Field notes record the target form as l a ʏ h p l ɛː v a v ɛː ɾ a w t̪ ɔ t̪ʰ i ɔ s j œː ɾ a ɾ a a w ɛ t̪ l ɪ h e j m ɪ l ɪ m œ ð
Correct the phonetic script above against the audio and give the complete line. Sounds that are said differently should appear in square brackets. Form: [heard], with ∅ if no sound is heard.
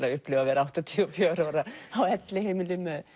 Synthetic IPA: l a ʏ h p l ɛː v a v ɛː ɾ a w t̪ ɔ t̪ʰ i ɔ [f] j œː ɾ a ɾ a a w ɛ t̪ l ɪ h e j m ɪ l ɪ m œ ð